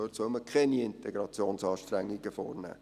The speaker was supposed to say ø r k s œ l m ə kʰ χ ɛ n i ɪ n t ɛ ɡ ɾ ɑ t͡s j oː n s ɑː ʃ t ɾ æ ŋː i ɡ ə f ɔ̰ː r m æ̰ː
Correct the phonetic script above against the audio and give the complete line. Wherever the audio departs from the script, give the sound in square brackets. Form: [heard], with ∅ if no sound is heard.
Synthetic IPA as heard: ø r [t] s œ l m ə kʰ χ ɛ n i ɪ n t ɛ ɡ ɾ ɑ t͡s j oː n s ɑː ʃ t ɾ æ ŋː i ɡ ə f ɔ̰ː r [n] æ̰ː